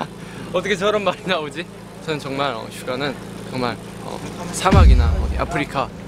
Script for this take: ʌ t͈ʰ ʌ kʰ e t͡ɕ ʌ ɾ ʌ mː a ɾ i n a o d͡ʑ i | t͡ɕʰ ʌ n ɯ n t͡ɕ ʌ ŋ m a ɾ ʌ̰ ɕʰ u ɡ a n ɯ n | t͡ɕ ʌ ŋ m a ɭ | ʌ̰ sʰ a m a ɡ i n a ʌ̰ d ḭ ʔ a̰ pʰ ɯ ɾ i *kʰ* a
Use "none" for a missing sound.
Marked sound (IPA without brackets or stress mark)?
kʰ